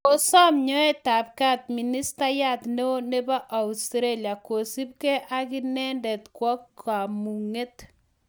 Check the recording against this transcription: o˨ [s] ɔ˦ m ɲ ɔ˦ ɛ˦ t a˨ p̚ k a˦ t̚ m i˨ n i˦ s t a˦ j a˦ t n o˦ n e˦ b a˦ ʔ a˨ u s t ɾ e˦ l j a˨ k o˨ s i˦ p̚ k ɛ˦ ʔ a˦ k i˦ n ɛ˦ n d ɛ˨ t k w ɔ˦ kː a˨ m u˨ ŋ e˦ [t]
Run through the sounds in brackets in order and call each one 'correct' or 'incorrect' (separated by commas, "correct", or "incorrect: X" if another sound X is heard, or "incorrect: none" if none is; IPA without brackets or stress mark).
correct, correct